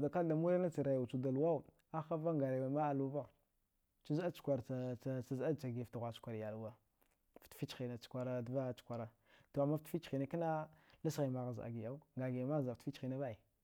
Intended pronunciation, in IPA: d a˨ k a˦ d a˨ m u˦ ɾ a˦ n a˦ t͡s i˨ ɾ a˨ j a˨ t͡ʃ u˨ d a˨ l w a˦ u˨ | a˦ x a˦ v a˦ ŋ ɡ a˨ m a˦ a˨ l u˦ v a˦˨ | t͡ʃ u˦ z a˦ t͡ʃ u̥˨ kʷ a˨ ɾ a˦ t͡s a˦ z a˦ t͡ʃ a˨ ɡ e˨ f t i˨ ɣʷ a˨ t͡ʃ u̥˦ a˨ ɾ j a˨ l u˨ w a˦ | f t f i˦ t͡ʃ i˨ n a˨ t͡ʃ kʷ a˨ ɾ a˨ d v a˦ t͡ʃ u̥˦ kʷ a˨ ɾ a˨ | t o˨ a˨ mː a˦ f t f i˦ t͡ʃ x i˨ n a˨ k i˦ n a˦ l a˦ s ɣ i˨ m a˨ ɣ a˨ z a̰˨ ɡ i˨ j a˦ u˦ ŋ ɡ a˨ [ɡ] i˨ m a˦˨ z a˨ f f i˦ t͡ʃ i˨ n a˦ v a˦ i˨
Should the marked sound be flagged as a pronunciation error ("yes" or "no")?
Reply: no